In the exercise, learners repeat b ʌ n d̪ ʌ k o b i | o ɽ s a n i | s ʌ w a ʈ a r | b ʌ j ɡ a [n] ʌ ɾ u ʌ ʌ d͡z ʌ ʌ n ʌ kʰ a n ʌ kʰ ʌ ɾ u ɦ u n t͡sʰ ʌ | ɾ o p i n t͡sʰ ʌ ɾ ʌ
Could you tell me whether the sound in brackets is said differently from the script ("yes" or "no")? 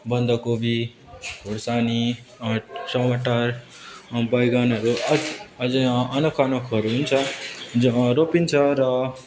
no